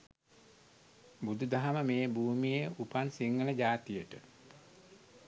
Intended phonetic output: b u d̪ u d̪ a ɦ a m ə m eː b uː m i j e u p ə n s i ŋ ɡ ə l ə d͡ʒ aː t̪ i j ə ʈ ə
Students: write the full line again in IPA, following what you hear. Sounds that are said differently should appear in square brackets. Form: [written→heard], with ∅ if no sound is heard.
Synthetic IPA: b u d̪ u d̪ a ɦ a m ə m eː b uː m i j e u p [ə→a] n s i ŋ ɡ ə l ə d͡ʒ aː t̪ i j ə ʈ ə